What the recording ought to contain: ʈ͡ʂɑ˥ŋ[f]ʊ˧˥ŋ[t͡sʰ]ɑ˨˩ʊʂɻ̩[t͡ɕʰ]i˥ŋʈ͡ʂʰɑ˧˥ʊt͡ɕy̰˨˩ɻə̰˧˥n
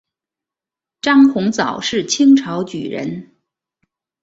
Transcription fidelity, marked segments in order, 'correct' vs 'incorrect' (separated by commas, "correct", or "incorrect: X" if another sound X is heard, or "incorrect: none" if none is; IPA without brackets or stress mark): incorrect: x, incorrect: t͡s, correct